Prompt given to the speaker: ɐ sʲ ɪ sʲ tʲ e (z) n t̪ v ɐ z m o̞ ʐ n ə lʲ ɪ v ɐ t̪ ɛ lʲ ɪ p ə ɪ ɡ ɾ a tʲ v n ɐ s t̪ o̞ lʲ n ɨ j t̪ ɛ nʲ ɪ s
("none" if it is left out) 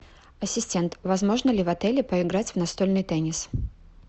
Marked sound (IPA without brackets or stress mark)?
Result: none